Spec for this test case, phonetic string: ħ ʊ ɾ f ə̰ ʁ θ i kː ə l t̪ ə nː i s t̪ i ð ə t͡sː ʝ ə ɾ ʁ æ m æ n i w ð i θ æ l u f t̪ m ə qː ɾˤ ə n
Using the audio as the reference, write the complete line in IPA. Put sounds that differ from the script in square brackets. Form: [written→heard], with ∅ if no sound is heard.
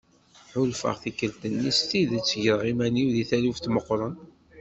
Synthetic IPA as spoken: ħ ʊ [ɾ→l] f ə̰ ʁ θ i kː ə l t̪ ə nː i s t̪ i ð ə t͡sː ʝ ə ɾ ʁ [æ→i] m æ n i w ð i θ æ l u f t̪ m ə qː ɾˤ ə n